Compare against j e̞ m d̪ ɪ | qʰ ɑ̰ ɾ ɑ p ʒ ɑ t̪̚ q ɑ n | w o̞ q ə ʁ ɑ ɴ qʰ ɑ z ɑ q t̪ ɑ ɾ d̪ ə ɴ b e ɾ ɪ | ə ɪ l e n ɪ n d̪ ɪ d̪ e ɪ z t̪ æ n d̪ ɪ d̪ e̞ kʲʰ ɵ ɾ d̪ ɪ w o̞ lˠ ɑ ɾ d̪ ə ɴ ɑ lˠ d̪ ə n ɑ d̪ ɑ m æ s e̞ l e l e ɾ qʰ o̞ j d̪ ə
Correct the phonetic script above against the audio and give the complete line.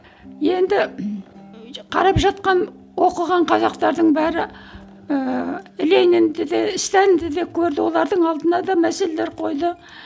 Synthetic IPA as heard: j e̞ n d̪ ɪ | qʰ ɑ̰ ɾ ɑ p ʒ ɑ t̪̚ q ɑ n | w o̞ q ə ʁ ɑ ɴ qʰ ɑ z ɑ q t̪ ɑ ɾ d̪ ə ɴ b æ ɾ ɪ | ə ɪ l e n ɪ n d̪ ɪ d̪ e ɪ s t̪ æ n d̪ ɪ d̪ e̞ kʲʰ ɵ ɾ d̪ ɪ w o̞ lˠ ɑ ɾ d̪ ə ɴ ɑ lˠ d̪ ə n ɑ d̪ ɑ m æ s e̞ l e l e ɾ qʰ o̞ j d̪ ə